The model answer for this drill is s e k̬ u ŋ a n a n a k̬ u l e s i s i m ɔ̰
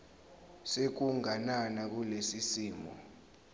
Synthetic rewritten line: s e k̬ u ŋ a n a n a k̬ u l e s i s iː m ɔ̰